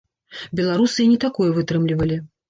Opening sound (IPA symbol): bʲ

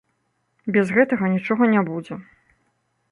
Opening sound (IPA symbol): bʲ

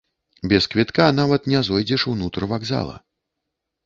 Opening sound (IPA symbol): bʲ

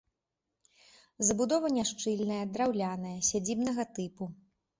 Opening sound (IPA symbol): z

